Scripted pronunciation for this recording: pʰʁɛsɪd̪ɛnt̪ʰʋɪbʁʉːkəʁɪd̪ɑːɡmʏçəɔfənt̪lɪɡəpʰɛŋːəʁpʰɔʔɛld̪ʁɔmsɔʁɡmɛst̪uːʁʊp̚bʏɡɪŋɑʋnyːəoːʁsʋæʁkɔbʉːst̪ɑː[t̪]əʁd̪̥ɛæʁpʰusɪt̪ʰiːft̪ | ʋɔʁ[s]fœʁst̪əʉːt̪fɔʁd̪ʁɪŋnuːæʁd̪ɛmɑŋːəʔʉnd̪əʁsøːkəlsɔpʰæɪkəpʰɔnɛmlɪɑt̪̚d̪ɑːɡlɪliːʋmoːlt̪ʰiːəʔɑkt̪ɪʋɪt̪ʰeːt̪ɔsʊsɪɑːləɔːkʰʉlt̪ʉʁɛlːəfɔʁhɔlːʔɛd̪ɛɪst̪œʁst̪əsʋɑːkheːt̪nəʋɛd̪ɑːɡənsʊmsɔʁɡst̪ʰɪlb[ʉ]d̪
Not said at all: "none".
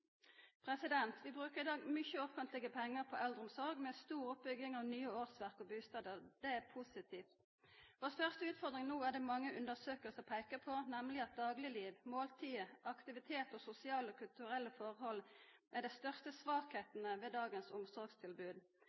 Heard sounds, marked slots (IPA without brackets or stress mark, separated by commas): d̪, s, ʉː